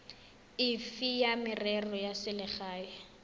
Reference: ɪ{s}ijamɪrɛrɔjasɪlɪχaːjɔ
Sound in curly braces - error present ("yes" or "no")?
yes